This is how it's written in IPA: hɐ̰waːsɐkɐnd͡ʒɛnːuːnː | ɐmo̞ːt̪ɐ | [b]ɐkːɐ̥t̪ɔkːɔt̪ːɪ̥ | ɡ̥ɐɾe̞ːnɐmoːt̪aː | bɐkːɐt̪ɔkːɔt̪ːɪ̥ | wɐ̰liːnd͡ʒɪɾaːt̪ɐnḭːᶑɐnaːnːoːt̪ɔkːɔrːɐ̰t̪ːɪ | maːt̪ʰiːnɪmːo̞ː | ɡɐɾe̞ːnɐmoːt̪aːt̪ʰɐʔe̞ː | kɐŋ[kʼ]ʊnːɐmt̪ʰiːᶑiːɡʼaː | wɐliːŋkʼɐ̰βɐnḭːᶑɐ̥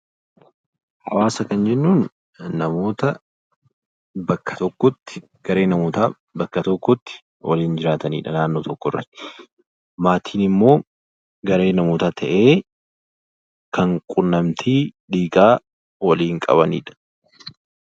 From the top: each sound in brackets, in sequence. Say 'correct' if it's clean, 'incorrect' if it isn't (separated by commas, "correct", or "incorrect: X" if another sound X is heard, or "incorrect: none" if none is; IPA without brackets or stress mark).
correct, correct